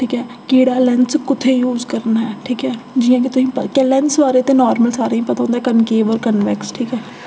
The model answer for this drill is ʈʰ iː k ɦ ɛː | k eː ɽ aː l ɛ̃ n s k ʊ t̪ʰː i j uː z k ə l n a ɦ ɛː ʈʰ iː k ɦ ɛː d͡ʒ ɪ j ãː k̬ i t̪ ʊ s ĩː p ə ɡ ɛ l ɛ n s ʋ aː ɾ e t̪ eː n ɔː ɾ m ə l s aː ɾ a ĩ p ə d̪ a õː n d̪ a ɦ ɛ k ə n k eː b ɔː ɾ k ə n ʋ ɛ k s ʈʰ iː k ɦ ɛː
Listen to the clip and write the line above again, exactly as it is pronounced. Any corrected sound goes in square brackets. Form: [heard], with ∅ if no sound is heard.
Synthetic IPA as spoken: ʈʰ iː k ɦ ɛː | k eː ɽ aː l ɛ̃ n s k ʊ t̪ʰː [e] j uː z k ə [ɾ] n a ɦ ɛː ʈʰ iː k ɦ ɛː d͡ʒ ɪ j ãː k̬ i t̪ ʊ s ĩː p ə [k] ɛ l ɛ n s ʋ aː ɾ e t̪ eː n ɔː ɾ m ə l s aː ɾ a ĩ p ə [t̪] a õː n d̪ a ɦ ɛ k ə n k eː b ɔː ɾ k ə n ʋ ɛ k s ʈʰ iː k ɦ ɛː

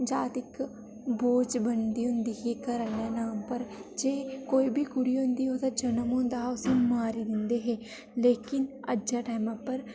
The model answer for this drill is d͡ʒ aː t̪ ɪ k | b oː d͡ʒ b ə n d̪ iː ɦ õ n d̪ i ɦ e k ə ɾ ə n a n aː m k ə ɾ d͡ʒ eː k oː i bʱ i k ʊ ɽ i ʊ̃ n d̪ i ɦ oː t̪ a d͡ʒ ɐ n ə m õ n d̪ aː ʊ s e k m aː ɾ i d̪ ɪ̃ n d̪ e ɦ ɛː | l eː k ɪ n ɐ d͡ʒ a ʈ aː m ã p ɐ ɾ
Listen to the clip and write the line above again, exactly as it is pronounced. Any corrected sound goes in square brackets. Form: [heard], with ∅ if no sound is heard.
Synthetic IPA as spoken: d͡ʒ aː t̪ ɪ k | b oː d͡ʒ b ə n d̪ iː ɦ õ n d̪ i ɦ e k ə ɾ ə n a n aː m [p] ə ɾ d͡ʒ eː k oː i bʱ i k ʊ ɽ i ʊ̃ n d̪ i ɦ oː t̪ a d͡ʒ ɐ n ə m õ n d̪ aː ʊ s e [∅] m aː ɾ i d̪ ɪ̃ n d̪ e ɦ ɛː | l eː k ɪ n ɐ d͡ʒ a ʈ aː m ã p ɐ ɾ

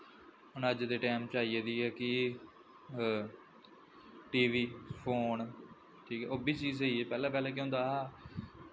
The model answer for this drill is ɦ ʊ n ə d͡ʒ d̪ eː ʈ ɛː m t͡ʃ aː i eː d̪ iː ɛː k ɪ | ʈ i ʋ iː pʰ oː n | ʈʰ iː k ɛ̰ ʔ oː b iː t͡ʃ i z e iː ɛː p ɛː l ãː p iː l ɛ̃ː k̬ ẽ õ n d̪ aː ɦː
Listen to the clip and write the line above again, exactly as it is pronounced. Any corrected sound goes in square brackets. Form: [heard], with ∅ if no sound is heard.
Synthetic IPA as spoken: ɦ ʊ n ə d͡ʒ d̪ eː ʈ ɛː m t͡ʃ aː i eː d̪ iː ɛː k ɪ | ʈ [iː] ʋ iː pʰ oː n | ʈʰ iː k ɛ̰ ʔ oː b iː t͡ʃ [iː] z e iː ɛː p ɛː l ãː p [ɛː] l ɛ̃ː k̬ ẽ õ n d̪ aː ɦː

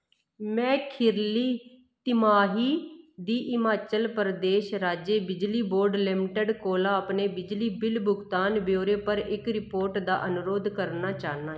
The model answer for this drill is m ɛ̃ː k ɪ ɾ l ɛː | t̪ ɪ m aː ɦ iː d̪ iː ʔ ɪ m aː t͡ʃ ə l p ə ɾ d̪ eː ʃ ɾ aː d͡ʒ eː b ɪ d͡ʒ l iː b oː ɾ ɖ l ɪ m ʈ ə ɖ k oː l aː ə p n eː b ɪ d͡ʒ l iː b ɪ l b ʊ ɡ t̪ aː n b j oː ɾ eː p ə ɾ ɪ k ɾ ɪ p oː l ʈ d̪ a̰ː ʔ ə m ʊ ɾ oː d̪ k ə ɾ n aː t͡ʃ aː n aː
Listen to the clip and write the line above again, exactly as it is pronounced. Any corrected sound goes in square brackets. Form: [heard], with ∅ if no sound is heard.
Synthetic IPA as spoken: m ɛ̃ː [kʰ] ɪ ɾ l [iː] | t̪ ɪ m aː ɦ iː d̪ iː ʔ ɪ m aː t͡ʃ ə l p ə ɾ d̪ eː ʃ ɾ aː d͡ʒ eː b ɪ d͡ʒ l iː b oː ɾ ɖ l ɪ m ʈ ə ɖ k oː l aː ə p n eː b ɪ d͡ʒ l iː b ɪ l b ʊ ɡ t̪ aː n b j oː ɾ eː p ə ɾ ɪ k ɾ ɪ p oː [ɾ] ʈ d̪ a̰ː ʔ ə [n] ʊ ɾ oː d̪ k ə ɾ n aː t͡ʃ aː n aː

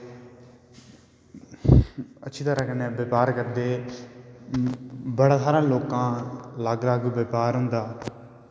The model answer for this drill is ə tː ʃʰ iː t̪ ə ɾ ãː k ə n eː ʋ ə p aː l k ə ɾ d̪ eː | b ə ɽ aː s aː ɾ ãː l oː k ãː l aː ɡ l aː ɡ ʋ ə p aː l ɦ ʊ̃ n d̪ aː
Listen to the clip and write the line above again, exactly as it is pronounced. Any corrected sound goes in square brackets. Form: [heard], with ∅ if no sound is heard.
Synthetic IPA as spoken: ə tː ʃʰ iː t̪ ə ɾ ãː k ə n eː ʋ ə p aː [ɾ] k ə ɾ d̪ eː | b ə ɽ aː s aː ɾ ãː l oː k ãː l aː ɡ l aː ɡ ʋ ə p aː [ɾ] ɦ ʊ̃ n d̪ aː

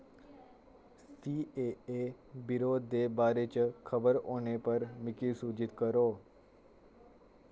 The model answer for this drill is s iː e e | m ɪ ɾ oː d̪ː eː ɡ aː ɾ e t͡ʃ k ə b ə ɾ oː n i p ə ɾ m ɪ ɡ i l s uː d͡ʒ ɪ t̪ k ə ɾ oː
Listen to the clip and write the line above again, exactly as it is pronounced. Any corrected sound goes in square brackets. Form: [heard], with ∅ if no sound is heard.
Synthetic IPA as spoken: s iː e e | [b] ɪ ɾ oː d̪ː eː [b] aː ɾ e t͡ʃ [kʰ] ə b ə ɾ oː n [e] p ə ɾ m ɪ [k] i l s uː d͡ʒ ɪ t̪ k ə ɾ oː

